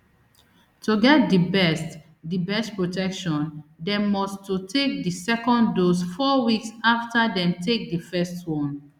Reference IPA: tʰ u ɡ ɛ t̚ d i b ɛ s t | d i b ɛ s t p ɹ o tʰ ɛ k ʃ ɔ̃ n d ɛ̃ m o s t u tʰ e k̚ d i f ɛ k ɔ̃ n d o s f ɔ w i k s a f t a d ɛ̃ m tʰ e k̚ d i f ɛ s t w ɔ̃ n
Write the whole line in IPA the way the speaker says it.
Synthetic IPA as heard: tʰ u ɡ ɛ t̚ d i b ɛ s t | d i b ɛ s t p ɹ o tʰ ɛ k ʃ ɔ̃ n d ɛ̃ m ɔ s t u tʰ e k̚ d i s ɛ k ɔ̃ n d o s f ɔ w i k s a f t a d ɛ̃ m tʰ e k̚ d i f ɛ s t w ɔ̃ n